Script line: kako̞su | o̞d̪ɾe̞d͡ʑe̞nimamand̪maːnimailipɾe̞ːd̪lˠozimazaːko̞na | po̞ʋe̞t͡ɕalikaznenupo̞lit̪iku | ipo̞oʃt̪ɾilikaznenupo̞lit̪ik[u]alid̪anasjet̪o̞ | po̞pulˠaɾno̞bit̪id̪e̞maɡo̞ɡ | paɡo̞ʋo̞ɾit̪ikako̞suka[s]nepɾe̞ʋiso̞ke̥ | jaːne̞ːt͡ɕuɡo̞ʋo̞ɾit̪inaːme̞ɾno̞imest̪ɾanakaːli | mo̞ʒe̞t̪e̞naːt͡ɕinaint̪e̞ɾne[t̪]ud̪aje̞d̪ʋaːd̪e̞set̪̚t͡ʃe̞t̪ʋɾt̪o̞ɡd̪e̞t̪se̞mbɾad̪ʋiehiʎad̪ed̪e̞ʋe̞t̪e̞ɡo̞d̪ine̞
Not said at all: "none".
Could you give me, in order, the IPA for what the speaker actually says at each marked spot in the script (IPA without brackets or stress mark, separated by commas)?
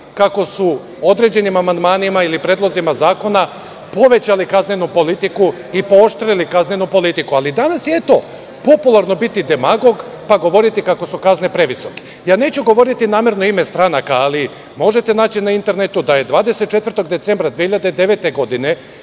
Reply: u, z, t̪